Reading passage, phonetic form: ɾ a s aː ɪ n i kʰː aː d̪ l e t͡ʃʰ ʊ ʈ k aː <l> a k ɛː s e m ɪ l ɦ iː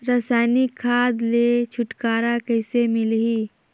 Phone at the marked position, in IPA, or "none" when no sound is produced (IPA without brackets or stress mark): ɾ